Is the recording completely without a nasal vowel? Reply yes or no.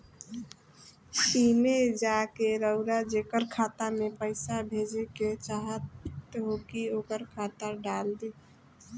yes